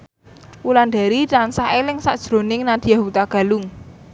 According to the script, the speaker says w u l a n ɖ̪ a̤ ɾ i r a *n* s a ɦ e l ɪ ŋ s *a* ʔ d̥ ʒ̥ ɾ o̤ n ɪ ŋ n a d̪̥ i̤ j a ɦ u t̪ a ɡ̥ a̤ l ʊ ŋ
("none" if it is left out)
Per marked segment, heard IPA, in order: n, a

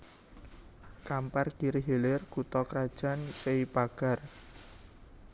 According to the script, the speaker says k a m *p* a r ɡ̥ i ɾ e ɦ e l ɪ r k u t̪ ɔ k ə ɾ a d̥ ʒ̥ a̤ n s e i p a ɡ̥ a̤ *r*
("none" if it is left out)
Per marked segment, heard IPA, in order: p, r

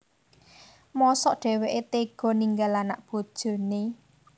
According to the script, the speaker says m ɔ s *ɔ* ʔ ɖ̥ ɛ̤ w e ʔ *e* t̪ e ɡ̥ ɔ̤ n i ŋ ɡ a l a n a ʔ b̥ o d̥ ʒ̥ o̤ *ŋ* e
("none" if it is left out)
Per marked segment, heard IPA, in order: ɔ, e, n

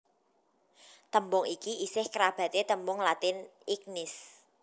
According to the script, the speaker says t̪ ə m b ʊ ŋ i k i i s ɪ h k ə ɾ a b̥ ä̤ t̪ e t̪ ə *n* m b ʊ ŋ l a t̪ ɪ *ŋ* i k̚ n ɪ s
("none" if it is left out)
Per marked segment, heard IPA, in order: none, n

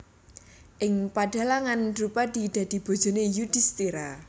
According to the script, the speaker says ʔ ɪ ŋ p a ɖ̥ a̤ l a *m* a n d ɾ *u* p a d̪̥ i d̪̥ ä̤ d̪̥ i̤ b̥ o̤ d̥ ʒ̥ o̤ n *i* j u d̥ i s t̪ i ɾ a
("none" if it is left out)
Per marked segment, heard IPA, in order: ŋ, u, e

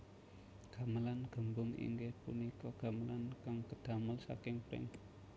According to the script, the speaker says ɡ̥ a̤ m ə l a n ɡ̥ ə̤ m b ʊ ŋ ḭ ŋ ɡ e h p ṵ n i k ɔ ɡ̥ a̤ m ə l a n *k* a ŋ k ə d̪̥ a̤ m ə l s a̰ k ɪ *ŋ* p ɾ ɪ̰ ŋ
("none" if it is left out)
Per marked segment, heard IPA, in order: k, ŋ

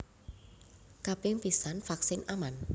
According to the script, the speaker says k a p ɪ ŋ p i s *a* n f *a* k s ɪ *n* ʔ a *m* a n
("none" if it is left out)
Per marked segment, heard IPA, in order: a, a, n, m

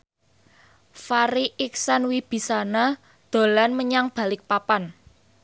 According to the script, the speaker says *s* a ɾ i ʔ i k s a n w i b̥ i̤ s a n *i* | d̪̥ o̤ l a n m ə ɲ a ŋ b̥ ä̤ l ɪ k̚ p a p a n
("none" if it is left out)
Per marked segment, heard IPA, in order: f, a

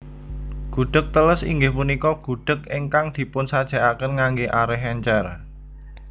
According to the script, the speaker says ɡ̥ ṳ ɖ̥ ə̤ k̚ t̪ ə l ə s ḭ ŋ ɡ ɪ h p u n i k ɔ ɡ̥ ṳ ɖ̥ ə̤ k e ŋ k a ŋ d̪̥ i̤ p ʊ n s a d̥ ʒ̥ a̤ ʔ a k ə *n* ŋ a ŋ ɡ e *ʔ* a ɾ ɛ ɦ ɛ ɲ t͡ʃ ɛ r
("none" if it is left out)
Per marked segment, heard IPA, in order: n, ʔ

